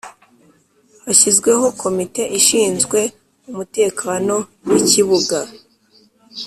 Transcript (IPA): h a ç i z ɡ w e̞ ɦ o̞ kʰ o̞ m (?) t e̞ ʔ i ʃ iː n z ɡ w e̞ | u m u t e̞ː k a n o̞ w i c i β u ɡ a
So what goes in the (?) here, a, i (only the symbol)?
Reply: i